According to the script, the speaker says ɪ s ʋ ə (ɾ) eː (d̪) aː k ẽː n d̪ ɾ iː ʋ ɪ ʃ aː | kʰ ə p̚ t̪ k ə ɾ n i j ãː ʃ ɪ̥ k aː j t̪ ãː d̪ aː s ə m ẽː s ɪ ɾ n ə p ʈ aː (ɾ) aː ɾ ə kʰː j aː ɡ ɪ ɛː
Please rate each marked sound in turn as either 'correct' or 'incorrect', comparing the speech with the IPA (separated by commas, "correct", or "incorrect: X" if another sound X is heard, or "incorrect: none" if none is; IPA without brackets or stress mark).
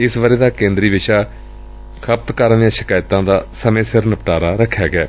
correct, correct, correct